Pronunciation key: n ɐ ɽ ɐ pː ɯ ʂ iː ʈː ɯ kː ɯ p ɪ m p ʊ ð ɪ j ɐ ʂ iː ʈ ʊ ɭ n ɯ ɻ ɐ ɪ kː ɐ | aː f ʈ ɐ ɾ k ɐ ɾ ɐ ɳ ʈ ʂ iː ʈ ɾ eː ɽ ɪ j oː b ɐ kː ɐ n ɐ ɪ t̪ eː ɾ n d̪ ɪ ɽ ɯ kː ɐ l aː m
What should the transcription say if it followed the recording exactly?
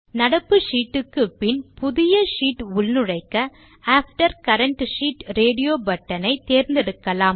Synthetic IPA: n ɐ ɽ ɐ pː ɯ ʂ iː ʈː ɯ kː ɯ p ɪ n p ʊ ð ɪ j ɐ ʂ iː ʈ ʊ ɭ n ɯ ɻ ɐ ɪ kː ɐ | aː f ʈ ɐ ɾ k ɐ ɾ ɐ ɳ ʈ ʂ iː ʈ ɾ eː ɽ ɪ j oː b ɐ ʈː ɐ n ɐ ɪ t̪ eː ɾ n d̪ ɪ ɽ ɯ kː ɐ l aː m